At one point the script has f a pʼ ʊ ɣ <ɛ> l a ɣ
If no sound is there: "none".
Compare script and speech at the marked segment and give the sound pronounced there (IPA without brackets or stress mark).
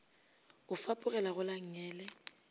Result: ɛ